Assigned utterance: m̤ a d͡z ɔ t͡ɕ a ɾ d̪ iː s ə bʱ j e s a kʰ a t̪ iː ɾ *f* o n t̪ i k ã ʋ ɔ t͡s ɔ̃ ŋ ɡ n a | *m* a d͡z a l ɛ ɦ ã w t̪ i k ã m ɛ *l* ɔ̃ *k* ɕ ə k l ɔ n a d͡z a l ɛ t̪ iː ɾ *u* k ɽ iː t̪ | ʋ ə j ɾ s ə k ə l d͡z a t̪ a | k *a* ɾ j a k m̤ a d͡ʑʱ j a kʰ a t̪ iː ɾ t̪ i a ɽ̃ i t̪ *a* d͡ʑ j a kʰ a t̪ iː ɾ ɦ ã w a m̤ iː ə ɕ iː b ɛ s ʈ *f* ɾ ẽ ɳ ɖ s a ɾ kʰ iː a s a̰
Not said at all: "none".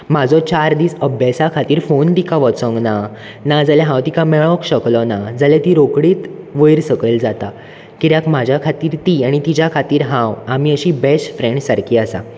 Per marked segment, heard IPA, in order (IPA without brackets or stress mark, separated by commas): f, n, ɭ, k, o, i, i, f